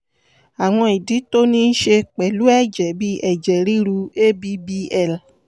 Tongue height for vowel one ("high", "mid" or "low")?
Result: low